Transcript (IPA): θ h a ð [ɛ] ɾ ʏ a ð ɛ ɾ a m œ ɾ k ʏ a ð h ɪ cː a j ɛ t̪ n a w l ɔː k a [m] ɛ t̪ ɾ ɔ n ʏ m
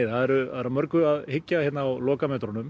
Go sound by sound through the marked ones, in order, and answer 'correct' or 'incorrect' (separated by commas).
correct, correct